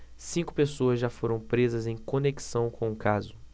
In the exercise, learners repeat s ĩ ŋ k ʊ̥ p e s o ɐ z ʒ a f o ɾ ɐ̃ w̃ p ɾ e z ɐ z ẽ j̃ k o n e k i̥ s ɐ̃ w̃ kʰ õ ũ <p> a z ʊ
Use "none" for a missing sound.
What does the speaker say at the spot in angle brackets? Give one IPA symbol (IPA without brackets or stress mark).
k